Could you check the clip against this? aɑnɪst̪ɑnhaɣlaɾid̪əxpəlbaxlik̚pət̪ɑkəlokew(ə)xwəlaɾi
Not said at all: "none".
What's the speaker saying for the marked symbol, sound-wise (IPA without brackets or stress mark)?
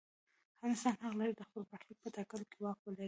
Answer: ɑ